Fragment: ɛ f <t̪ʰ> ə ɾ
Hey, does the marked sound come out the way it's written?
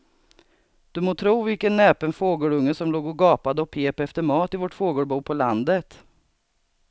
no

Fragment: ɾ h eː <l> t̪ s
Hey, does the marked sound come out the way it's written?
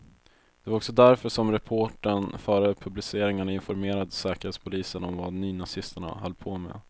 no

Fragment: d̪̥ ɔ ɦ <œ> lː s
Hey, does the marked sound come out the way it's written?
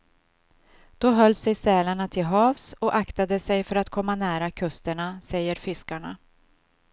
yes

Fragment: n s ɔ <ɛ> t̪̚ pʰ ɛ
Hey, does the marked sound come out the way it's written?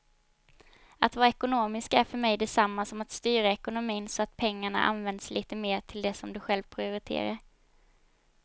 no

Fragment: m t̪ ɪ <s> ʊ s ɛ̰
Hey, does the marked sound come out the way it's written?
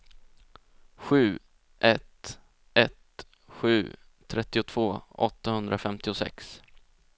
no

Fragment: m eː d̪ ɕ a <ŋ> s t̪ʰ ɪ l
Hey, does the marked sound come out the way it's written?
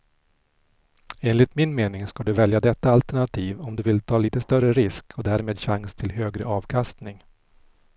yes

